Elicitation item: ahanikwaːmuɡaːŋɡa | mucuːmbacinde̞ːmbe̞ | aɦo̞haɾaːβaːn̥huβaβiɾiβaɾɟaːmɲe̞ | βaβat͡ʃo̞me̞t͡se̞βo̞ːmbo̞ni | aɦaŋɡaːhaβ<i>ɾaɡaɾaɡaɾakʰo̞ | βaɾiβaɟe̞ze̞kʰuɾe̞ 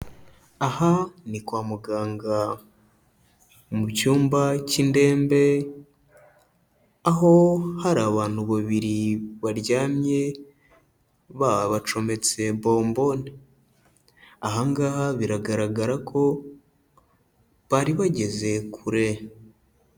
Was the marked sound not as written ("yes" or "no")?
no